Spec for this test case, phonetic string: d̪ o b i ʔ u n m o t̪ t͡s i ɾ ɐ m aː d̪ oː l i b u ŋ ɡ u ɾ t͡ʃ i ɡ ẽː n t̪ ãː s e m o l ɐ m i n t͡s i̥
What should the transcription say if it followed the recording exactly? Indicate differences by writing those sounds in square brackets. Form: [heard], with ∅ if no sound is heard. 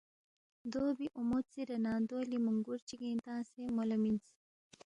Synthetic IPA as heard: d̪ o b i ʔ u [∅] m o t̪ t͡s i ɾ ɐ [n] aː d̪ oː l i [m] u ŋ ɡ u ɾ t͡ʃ i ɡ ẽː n t̪ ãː s e m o l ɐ m i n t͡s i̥